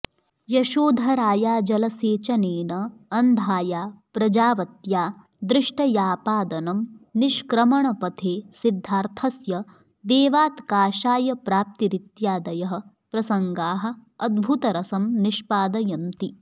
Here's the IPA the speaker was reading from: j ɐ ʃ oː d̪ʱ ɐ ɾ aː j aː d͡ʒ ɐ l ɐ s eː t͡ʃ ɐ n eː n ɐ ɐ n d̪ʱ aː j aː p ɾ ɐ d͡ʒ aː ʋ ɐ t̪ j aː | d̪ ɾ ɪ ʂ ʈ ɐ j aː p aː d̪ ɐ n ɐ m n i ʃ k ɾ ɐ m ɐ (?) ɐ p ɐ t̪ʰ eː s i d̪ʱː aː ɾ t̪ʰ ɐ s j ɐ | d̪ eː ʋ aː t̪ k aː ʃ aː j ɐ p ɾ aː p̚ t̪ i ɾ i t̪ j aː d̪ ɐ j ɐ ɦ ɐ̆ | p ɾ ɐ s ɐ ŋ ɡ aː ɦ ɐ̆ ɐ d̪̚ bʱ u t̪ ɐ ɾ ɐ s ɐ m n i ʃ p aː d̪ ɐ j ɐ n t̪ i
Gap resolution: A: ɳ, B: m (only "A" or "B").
A